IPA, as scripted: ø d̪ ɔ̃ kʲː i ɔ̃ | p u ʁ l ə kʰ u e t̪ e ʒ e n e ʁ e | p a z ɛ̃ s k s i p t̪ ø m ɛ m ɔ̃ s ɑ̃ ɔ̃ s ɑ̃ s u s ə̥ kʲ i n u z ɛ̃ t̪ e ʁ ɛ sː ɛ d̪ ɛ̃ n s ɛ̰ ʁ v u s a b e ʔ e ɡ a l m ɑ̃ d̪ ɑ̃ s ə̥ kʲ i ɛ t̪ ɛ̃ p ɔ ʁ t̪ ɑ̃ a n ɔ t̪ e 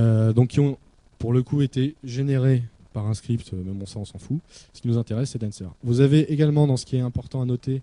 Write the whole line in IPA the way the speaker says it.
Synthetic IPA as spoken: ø d̪ ɔ̃ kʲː i ɔ̃ | p u ʁ l ə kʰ u e t̪ e ʒ e n e ʁ e | p a ʁ ɛ̃ s k χ i p t̪ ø m ɛ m ɔ̃ s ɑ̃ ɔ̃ s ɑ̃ f u s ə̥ kʲ i n u z ɛ̃ t̪ e ʁ ɛ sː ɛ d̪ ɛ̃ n s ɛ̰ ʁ v u z a v e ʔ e ɡ a l m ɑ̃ d̪ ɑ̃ s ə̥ kʲ i ɛ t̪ ɛ̃ p ɔ ʁ t̪ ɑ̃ a n ɔ t̪ e

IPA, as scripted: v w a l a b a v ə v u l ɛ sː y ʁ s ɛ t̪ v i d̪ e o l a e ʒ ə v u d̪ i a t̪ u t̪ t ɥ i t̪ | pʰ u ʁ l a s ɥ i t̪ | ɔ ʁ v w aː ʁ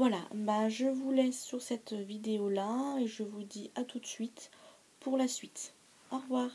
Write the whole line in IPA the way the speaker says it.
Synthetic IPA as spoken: v w a l a b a ʒ ə v u l ɛ sː y ʁ s ɛ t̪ v i d̪ e o l a e ʒ ə v u d̪ i a t̪ u t̪ s ɥ i t̪ | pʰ u ʁ l a s ɥ i t̪ | ɔ ʁ v w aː ʁ

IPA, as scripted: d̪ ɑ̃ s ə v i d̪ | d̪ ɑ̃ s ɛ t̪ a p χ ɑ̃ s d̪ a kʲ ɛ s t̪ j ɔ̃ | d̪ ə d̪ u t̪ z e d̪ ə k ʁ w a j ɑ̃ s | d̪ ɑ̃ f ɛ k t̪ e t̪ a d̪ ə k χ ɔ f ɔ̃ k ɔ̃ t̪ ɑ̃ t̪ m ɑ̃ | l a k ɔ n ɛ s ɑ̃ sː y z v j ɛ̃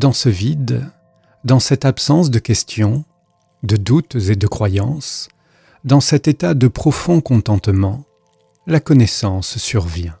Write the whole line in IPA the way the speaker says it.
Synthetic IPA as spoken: d̪ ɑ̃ s ə v i d̪ | d̪ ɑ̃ s ɛ t̪ a p s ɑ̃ s d̪ ə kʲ ɛ s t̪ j ɔ̃ | d̪ ə d̪ u t̪ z e d̪ ə k χ w a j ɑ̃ s | d̪ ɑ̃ s ɛ t̪ e t̪ a d̪ ə p χ ɔ f ɔ̃ k ɔ̃ t̪ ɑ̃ t̪ m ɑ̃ | l a k ɔ n ɛ s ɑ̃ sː y ʁ v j ɛ̃

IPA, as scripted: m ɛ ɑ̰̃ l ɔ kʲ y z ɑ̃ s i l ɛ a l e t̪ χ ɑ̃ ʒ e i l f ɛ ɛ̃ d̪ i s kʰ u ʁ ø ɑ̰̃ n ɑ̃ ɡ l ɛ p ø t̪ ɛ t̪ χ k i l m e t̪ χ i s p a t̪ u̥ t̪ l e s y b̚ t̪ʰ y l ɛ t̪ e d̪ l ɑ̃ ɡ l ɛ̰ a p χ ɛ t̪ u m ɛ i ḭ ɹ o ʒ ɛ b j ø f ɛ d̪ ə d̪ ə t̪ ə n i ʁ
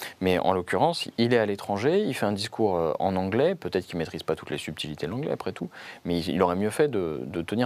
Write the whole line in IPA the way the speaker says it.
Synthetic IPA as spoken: m ɛ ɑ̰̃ l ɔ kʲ y ʁ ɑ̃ s i l ɛ a l e t̪ χ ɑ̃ ʒ e i l f ɛ ɛ̃ d̪ i s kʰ u ʁ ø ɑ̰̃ n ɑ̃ ɡ l ɛ p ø t̪ ɛ t̪ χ k i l m e t̪ χ i z p a t̪ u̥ t̪ l e s y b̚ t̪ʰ i l i t̪ e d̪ l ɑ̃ ɡ l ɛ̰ a p χ ɛ t̪ u m ɛ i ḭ l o ʁ ɛ m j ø f ɛ d̪ ə d̪ ə t̪ ə n i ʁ

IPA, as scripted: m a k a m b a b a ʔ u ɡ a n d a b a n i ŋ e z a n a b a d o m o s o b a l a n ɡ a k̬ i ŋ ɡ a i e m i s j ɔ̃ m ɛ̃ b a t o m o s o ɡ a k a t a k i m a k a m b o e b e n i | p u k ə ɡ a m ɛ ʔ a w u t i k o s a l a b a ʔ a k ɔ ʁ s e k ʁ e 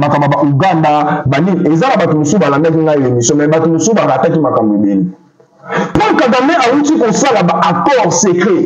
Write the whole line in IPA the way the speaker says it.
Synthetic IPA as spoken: m a k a m b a b a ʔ u ɡ a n d a b a n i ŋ e z a n a b a t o m o s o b a l a n d a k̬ i ŋ ɡ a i e m i s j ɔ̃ m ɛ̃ b a t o m o s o b a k a t a k i m a k a m b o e b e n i | p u k a ɡ a m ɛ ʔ a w u t i k o s a l a b a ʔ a k ɔ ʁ s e k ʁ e

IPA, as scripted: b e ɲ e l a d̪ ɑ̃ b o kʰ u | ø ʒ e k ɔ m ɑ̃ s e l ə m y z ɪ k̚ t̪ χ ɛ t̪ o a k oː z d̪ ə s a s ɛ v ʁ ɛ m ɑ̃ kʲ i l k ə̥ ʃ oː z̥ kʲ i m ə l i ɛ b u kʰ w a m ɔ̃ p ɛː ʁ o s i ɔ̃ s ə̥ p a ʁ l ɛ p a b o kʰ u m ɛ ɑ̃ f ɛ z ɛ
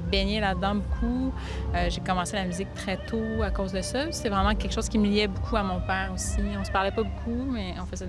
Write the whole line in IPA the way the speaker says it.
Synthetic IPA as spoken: b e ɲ e l a d̪ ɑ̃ b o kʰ u | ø ʒ e k ɔ m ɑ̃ s e l a m y z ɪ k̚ t̪ χ ɛ t̪ o a k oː z d̪ ə s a s ɛ v ʁ ɛ m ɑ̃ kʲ ɛ l k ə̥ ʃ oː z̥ kʲ i m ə l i ɛ b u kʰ u a m ɔ̃ p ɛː ʁ o s i ɔ̃ s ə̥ p a ʁ l ɛ p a b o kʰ u m ɛ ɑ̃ f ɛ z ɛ

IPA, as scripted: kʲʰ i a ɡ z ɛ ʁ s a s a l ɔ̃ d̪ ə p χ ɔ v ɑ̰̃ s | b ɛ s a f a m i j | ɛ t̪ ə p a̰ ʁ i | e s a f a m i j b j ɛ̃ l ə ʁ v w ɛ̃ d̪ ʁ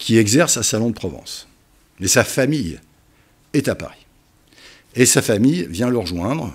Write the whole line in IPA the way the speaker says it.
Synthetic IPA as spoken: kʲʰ i ɛ ɡ z ɛ ʁ s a s a l ɔ̃ d̪ ə p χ ɔ v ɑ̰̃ s | m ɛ s a f a m i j | ɛ t̪ a p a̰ ʁ i | e s a f a m i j v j ɛ̃ l ə ʁ ʒ w ɛ̃ d̪ ʁ

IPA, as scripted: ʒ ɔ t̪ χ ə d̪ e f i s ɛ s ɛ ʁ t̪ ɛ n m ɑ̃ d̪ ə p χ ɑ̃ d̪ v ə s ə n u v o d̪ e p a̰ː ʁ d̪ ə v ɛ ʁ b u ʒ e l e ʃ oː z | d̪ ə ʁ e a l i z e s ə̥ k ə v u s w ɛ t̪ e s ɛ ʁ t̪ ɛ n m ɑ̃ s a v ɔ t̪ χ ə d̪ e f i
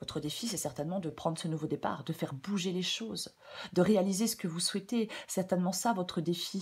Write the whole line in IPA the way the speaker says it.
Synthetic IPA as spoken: v ɔ t̪ χ ə d̪ e f i s ɛ s ɛ ʁ t̪ ɛ n m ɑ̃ d̪ ə p χ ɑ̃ d̪ ʁ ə s ə n u v o d̪ e p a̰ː ʁ d̪ ə f ɛ ʁ b u ʒ e l e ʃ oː z | d̪ ə ʁ e a l i z e s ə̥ k ə v u s w ɛ t̪ e s ɛ ʁ t̪ ɛ n m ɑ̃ s a v ɔ t̪ χ ə d̪ e f i

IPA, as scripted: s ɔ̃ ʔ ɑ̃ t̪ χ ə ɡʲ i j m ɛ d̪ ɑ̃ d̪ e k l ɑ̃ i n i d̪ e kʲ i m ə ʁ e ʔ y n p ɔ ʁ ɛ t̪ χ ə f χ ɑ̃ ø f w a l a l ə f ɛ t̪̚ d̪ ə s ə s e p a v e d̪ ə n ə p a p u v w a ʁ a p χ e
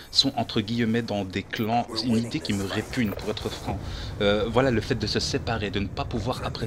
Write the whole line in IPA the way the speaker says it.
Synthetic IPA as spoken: s ɔ̃ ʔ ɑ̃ t̪ χ ə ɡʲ i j m ɛ d̪ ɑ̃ d̪ e k l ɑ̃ y n i d̪ e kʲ i m ə ʁ e p y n p u ʁ ɛ t̪ χ ə f χ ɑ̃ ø v w a l a l ə f ɛ t̪̚ d̪ ə s ə s e p a ʁ e d̪ ə n ə p a p u v w a ʁ a p χ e

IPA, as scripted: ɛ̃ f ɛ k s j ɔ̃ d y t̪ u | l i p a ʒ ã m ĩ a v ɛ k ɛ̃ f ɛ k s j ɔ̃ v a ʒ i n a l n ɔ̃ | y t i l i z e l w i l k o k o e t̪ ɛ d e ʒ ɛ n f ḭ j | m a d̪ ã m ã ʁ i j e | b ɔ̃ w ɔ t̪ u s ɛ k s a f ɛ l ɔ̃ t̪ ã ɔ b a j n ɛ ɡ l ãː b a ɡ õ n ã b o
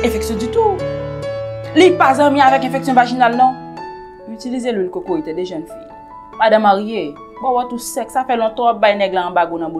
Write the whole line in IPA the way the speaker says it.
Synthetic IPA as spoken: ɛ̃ f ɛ k s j ɔ̃ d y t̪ u | l i p a z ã m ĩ a v ɛ k ɛ̃ f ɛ k s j ɔ̃ v a ʒ i n a l n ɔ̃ | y t i l i z e l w i l k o k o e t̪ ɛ d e ʒ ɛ n f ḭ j | m a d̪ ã m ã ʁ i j e | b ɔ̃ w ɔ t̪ u s ɛ k s a f ɛ l ɔ̃ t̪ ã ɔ b a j n ɛ ɡ l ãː b a ɡ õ n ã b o

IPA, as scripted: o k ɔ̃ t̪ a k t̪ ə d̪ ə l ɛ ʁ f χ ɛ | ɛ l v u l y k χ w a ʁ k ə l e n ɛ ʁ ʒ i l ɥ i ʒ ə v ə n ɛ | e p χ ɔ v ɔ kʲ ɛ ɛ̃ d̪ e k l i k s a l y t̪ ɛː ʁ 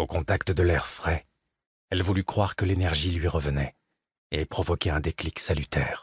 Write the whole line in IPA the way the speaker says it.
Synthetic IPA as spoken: o k ɔ̃ t̪ a k t̪ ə d̪ ə l ɛ ʁ f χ ɛ | ɛ l v u l y k χ w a ʁ k ə l e n ɛ ʁ ʒ i l ɥ i ʁ ə v ə n ɛ | e p χ ɔ v ɔ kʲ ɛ ɛ̃ d̪ e k l i k s a l y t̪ ɛː ʁ

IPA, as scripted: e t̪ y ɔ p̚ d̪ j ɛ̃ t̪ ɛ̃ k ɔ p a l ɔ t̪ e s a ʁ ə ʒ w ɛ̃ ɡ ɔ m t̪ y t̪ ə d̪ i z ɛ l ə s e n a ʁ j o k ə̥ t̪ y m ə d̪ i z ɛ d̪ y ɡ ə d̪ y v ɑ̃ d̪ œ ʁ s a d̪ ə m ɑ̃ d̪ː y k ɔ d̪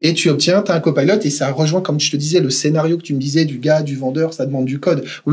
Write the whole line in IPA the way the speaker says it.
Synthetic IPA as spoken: e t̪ y ɔ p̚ t̪ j ɛ̃ t̪ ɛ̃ k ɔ p a l ɔ t̪ e s a ʁ ə ʒ w ɛ̃ k ɔ m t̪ y t̪ ə d̪ i z ɛ l ə s e n a ʁ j o k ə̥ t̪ y m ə d̪ i z ɛ d̪ y ɡ a d̪ y v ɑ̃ d̪ œ ʁ s a d̪ ə m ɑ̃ d̪ː y k ɔ d̪

